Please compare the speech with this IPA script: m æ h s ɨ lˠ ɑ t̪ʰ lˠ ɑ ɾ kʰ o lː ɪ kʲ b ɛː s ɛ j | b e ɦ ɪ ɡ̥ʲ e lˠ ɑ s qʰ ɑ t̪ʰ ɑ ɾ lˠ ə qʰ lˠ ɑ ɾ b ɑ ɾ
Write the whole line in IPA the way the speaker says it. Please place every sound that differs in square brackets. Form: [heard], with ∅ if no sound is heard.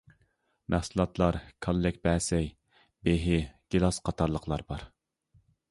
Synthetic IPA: m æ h s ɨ lˠ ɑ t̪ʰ lˠ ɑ ɾ kʰ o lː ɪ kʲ b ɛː s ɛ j | b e ɦ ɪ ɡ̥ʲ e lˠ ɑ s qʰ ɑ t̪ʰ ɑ ɾ lˠ ə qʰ lˠ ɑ ɾ b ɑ ɾ